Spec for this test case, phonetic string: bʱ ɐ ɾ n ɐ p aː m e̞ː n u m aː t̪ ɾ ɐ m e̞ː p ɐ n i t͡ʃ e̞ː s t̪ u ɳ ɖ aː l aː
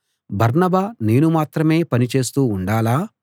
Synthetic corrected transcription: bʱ ɐ ɾ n ɐ b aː n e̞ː n u m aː t̪ ɾ ɐ m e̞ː p ɐ n i t͡ʃ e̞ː s t̪ uː ɳ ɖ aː l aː

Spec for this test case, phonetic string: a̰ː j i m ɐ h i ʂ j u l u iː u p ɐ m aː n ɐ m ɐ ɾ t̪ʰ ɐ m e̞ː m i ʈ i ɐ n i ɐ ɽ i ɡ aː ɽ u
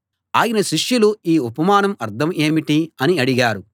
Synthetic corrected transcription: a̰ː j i n ɐ ʃ i ʂ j u l u iː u p ɐ m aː n ɐ m ɐ ɾ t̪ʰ ɐ m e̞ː m i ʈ i ɐ n i ɐ ɽ i ɡ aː ɾ u

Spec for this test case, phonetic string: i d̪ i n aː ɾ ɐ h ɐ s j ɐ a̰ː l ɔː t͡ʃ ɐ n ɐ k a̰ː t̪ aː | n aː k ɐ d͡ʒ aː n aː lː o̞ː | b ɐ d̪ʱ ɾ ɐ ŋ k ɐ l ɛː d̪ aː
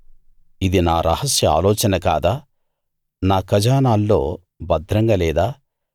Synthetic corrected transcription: i d̪ i n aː ɾ ɐ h ɐ s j ɐ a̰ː l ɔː t͡ʃ ɐ n ɐ k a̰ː d̪ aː | n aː k ɐ d͡ʒ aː n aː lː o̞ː | b ɐ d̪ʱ ɾ ɐ ŋ ɡ ɐ l ɛː d̪ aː

